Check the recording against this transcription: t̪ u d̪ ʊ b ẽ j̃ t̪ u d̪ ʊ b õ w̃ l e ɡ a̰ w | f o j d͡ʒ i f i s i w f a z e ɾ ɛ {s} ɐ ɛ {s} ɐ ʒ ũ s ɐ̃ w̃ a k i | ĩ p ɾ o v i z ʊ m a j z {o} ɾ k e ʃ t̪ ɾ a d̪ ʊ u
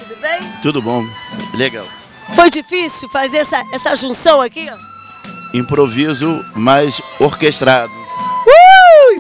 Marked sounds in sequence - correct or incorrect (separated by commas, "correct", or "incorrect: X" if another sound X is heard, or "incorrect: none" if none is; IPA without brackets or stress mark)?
correct, correct, correct